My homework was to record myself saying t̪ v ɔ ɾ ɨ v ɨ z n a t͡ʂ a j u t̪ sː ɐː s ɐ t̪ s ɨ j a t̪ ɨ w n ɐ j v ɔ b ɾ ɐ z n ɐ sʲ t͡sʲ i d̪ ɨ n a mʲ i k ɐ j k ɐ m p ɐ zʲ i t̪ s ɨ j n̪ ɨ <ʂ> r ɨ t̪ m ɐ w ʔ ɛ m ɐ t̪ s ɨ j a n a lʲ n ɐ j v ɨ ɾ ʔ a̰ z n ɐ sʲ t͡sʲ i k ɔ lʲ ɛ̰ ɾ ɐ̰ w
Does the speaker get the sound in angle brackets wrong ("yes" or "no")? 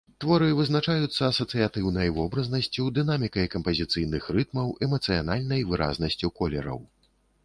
yes